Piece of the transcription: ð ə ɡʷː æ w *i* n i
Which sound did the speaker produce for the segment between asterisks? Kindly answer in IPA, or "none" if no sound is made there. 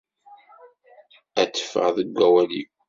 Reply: æ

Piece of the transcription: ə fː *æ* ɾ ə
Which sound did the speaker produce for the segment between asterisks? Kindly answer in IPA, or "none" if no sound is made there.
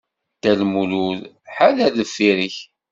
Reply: i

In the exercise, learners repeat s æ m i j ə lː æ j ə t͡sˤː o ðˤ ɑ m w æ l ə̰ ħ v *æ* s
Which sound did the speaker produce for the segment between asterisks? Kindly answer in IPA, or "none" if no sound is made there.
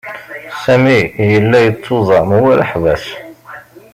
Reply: æ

